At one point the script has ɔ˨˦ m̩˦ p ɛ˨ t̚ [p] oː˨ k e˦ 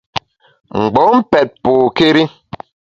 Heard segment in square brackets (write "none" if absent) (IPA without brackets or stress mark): p